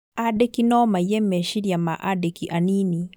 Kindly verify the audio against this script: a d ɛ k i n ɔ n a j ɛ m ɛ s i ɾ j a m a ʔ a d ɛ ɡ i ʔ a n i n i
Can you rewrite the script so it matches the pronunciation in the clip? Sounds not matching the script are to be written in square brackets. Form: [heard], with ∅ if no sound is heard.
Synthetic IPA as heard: a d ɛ k i n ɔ [m] a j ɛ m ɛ [ʃ] i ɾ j a m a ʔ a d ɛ [k] i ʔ a n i n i